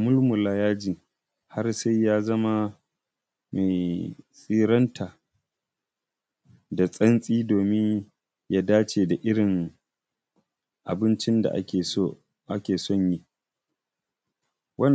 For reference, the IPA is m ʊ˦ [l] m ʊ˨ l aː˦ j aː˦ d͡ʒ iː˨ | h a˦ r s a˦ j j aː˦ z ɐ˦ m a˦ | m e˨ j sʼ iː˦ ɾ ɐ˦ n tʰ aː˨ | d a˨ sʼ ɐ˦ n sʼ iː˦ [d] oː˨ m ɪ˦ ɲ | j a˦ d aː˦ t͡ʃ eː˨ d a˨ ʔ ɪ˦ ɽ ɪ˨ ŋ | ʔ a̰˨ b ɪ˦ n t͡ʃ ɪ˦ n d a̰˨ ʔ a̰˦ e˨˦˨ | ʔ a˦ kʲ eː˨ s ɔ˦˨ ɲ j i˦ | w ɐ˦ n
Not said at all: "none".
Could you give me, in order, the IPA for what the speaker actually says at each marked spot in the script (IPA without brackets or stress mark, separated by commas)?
l, d